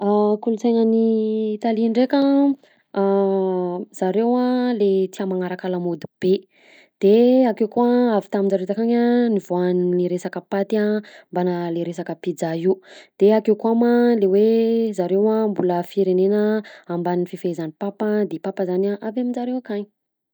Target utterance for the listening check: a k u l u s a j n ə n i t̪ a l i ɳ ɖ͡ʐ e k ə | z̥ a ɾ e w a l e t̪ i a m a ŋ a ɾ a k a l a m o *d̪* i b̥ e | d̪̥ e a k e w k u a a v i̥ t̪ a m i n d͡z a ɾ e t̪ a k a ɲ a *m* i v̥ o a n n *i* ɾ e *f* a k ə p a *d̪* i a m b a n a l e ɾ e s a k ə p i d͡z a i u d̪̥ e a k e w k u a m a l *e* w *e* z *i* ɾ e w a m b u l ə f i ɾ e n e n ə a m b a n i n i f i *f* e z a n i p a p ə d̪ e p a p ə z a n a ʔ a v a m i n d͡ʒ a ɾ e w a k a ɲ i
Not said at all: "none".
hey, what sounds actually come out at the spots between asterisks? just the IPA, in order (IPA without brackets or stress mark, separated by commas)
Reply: d̪, n, i, s, t̪, e, e, a, f